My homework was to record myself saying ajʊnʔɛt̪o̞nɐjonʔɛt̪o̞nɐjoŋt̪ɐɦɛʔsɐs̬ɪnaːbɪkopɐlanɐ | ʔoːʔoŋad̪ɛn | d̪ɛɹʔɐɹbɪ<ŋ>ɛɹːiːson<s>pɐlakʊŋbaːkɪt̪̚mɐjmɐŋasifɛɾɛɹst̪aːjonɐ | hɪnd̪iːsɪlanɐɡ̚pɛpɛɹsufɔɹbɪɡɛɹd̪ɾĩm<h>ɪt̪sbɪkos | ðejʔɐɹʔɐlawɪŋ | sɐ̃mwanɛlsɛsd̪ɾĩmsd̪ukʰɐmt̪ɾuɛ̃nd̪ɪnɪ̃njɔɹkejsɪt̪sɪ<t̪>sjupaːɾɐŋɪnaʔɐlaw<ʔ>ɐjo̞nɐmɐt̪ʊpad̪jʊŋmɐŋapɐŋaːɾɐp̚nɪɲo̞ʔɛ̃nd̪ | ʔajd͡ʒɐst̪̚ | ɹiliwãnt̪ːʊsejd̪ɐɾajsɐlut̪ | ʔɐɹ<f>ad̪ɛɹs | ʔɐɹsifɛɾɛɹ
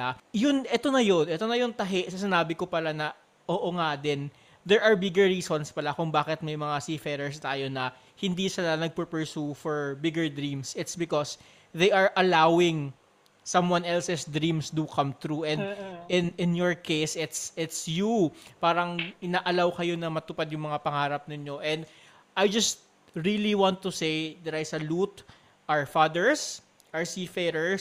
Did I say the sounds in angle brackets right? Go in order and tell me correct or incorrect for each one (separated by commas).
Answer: incorrect, correct, incorrect, correct, incorrect, correct